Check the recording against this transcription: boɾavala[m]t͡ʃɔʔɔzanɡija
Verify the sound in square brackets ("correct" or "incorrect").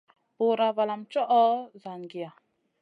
correct